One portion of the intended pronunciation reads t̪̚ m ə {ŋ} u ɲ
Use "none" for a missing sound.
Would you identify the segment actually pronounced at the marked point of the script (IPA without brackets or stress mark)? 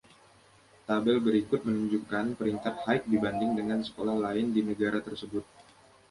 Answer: n